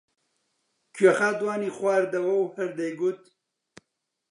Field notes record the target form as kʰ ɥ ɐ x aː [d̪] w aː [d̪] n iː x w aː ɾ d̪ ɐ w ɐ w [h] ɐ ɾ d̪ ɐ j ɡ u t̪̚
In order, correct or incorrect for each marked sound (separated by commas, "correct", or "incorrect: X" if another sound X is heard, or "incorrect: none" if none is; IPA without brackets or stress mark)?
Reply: correct, incorrect: none, correct